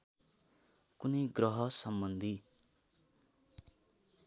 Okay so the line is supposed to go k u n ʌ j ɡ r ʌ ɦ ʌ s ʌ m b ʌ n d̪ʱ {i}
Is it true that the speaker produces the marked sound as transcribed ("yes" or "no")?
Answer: yes